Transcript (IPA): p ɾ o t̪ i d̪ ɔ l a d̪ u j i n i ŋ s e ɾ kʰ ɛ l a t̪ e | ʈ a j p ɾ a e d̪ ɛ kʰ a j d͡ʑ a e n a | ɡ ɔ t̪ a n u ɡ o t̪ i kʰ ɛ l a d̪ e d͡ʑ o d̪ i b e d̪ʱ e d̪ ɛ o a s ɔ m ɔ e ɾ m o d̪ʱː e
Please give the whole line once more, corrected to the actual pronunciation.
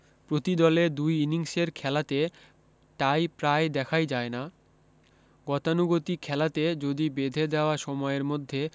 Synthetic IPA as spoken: p ɾ o t̪ i d̪ ɔ l e d̪ u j i n i ŋ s e ɾ kʰ ɛ l a t̪ e | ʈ a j p ɾ a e d̪ ɛ kʰ a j d͡ʑ a e n a | ɡ ɔ t̪ a n u ɡ o t̪ i kʰ ɛ l a t̪ e d͡ʑ o d̪ i b e d̪ʱ e d̪ ɛ o a ʃ ɔ m ɔ e ɾ m o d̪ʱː e